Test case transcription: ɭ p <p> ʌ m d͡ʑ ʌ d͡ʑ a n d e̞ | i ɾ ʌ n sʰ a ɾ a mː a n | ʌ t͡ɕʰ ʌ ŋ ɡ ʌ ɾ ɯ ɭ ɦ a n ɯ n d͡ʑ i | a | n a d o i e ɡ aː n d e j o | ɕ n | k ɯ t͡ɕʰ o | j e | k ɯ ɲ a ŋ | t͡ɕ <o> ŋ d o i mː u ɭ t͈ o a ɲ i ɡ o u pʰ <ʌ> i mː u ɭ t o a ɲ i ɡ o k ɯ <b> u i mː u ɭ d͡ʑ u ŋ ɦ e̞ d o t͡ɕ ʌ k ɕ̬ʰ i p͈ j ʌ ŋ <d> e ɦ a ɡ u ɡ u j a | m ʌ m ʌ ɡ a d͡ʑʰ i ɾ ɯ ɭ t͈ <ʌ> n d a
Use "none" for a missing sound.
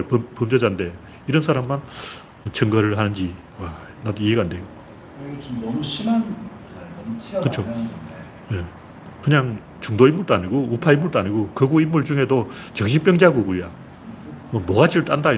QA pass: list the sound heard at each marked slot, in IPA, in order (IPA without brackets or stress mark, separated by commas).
p, u, a, ɡ, d͡ʑ, a